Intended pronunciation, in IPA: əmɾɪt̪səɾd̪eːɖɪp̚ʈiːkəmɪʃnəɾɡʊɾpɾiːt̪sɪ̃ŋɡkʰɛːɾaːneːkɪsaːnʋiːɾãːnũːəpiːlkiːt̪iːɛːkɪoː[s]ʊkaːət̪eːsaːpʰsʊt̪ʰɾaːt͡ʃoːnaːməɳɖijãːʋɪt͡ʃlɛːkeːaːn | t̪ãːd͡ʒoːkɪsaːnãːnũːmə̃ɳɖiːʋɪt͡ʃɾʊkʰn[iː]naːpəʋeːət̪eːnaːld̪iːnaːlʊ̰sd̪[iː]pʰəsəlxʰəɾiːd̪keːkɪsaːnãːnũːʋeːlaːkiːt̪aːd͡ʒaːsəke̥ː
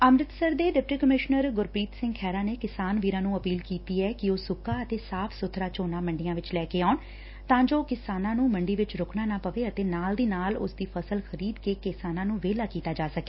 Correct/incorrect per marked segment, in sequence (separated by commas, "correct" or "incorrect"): correct, incorrect, correct